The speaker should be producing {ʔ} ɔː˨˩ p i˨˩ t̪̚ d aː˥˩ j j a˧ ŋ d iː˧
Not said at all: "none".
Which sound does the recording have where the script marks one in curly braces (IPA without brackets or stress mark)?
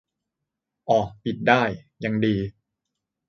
ʔ